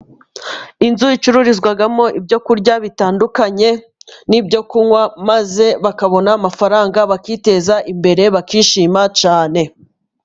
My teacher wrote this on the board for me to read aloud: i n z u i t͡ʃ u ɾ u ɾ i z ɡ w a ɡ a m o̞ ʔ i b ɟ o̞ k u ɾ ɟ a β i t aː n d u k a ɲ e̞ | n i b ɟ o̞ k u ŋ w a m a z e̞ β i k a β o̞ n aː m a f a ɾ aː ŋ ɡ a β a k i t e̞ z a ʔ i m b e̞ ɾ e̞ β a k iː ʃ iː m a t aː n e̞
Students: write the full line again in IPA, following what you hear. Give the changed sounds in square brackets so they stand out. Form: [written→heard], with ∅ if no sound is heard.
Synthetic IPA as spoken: i n z u i t͡ʃ u ɾ u ɾ i z ɡ w a ɡ a m o̞ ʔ i b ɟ o̞ k u ɾ ɟ a β i t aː n d u k a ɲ e̞ | n i b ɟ o̞ k u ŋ w a m a z e̞ β [i→a] k a β o̞ n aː m a f a ɾ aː ŋ ɡ a β a k i t e̞ z a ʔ i m b e̞ ɾ e̞ β a k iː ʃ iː m a [t→t͡ʃ] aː n e̞